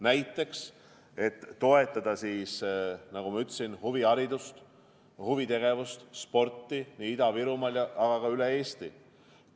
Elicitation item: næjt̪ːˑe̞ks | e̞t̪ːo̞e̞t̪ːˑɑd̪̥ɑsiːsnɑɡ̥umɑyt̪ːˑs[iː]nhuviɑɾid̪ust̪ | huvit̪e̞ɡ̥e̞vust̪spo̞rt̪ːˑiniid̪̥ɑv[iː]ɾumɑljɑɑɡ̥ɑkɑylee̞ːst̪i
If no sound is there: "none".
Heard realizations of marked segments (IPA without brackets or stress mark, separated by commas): i, i